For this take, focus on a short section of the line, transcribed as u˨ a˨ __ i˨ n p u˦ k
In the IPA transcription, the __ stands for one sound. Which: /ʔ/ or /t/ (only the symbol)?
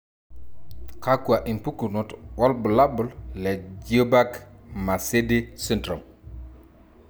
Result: ʔ